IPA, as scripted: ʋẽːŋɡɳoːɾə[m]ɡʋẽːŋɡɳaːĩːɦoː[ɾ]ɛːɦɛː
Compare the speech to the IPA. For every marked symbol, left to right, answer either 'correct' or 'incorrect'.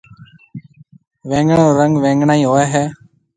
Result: incorrect: ŋ, incorrect: none

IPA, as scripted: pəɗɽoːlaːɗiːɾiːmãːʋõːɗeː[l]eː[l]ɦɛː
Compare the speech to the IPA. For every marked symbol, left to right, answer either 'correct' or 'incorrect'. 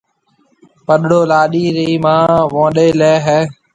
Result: correct, incorrect: none

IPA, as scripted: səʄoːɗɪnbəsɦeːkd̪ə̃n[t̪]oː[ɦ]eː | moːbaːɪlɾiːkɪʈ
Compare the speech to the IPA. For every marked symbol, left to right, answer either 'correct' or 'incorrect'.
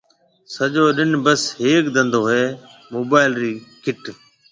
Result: incorrect: d̪, correct

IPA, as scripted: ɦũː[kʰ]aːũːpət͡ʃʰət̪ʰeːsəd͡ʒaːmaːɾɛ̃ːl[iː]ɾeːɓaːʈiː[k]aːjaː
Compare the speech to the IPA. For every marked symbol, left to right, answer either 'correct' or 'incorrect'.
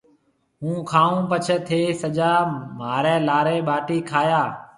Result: correct, incorrect: aː, incorrect: kʰ

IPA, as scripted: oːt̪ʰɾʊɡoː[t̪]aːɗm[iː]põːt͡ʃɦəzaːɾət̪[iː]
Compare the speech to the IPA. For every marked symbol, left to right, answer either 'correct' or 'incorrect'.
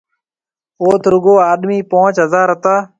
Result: incorrect: none, correct, incorrect: aː

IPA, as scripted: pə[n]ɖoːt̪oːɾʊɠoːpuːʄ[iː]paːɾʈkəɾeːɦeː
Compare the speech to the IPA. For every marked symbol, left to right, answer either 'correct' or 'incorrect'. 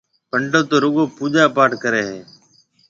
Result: incorrect: ɳ, incorrect: aː

